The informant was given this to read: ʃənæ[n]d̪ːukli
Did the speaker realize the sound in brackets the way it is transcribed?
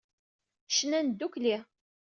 yes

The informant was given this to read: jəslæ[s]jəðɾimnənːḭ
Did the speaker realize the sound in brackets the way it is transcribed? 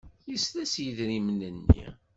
yes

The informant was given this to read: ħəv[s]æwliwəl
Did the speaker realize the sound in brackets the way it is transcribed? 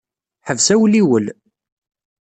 yes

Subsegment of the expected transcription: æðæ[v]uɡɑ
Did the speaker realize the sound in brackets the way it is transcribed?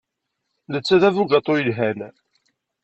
yes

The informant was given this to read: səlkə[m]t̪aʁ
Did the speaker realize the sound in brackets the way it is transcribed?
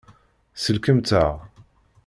yes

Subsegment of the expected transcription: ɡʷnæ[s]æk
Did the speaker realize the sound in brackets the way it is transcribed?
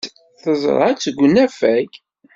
no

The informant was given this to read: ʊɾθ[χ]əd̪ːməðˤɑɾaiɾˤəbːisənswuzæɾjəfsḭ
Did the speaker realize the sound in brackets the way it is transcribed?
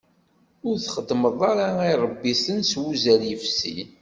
yes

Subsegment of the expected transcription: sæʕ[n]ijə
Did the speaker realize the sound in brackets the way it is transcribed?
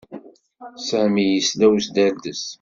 no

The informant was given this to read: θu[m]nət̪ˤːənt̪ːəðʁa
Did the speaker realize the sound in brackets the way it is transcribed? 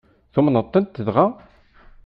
yes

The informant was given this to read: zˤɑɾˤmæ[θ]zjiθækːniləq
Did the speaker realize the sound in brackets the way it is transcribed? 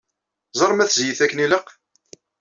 yes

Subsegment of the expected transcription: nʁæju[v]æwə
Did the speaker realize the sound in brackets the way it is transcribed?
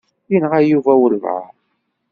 yes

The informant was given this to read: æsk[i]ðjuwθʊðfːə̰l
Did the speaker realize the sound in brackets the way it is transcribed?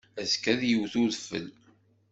no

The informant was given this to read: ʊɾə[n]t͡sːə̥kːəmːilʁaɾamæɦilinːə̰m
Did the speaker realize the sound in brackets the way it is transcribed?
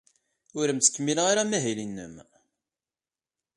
no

